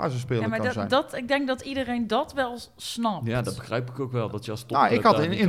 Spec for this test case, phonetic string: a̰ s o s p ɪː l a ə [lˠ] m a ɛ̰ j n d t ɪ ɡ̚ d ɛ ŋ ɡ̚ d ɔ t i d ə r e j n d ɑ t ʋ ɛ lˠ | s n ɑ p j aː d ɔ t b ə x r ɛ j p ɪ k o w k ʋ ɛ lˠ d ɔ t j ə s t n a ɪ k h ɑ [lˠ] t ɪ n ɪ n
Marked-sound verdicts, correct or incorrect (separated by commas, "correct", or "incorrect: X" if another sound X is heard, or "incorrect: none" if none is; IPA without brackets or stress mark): incorrect: none, incorrect: none